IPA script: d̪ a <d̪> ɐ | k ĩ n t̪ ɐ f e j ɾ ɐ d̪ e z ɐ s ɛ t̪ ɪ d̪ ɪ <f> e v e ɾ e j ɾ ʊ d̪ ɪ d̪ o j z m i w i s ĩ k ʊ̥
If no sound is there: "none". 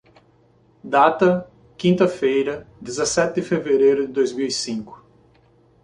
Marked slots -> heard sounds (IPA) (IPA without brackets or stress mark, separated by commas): t̪, f